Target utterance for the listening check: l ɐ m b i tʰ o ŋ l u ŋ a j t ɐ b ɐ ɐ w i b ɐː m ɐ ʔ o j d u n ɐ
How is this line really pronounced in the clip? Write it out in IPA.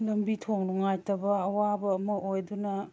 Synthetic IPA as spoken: l ɐ m b i tʰ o ŋ l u ŋ a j t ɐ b ɐ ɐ w a b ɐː m ɐ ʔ o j d u n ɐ